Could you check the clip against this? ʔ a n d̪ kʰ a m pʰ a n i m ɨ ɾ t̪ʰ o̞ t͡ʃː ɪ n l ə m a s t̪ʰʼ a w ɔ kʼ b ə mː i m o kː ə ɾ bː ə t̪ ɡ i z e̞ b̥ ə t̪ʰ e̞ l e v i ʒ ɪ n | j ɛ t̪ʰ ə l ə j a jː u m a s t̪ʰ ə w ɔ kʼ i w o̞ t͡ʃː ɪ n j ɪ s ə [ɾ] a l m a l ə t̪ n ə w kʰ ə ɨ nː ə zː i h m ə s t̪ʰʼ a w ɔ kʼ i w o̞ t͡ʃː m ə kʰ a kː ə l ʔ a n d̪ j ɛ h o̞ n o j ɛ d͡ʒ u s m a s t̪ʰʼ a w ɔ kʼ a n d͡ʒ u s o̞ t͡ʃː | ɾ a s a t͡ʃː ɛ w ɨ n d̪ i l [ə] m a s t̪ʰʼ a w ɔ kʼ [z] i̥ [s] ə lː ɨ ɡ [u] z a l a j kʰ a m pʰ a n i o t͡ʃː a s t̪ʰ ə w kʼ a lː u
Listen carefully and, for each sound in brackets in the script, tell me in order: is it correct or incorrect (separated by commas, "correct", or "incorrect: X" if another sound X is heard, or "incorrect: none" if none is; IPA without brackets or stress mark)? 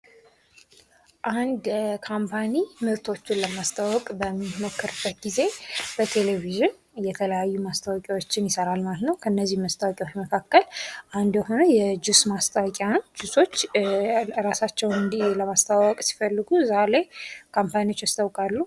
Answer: correct, correct, incorrect: s, incorrect: f, correct